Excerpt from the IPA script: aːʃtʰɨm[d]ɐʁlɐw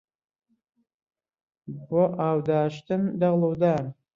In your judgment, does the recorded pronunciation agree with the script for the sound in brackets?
yes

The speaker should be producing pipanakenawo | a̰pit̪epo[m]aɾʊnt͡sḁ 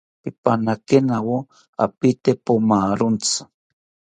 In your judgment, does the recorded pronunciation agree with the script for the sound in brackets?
yes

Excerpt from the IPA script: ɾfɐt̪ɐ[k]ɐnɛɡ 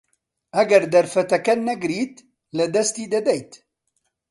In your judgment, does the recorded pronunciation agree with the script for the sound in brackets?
yes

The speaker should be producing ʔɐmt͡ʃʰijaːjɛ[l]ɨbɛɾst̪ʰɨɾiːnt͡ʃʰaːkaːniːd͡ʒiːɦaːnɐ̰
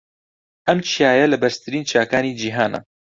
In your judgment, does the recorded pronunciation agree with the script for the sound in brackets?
yes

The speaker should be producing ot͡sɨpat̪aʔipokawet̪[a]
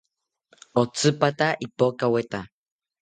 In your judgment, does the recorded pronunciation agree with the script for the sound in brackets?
yes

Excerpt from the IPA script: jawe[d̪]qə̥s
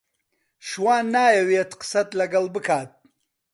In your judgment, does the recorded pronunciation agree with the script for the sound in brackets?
no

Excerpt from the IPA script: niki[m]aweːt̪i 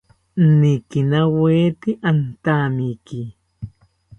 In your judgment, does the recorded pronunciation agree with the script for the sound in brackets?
no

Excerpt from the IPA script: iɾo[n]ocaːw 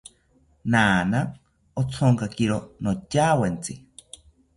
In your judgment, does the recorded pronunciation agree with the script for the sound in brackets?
yes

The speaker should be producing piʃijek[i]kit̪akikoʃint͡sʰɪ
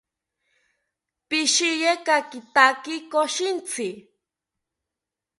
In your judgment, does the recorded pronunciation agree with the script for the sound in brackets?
no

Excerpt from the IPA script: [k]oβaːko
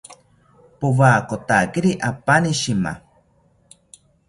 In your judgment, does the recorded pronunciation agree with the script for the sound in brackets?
no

